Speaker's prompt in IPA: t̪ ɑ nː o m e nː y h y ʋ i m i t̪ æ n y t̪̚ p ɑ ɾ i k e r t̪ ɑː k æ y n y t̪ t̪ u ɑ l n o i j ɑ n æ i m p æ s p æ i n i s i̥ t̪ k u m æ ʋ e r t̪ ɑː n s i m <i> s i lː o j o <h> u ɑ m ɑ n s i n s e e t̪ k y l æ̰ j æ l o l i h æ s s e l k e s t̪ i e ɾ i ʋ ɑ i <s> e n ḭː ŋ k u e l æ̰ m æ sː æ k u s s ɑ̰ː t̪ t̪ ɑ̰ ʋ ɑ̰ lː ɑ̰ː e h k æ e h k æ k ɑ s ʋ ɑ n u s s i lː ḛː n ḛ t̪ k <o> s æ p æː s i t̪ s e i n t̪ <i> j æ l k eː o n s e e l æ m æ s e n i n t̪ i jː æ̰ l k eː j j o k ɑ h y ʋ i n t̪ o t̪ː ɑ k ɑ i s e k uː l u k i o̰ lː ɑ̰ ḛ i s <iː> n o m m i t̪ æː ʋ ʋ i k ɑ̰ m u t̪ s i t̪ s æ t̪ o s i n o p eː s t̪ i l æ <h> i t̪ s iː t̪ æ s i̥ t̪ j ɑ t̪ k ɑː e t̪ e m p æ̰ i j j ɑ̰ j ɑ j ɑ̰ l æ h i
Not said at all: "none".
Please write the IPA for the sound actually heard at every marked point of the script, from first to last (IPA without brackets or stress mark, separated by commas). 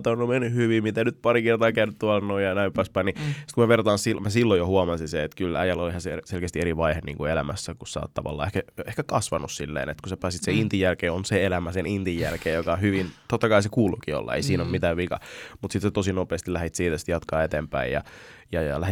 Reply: æ, h, h, u, i, iː, h